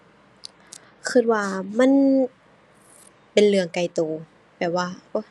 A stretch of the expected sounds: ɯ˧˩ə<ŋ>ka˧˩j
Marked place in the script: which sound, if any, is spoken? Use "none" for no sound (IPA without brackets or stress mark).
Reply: ŋ